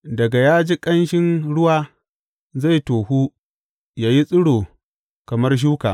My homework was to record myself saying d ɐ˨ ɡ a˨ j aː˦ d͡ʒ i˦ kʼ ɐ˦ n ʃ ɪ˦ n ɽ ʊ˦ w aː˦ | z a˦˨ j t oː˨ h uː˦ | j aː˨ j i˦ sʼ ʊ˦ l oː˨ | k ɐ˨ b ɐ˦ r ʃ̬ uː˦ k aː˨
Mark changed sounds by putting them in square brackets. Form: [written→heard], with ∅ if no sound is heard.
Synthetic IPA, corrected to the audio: d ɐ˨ ɡ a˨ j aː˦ d͡ʒ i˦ kʼ ɐ˦ n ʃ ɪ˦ n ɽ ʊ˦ w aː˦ | z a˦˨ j t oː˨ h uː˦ | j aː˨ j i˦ sʼ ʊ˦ [l→ɽ] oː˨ | k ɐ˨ [b→m] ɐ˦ r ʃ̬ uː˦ k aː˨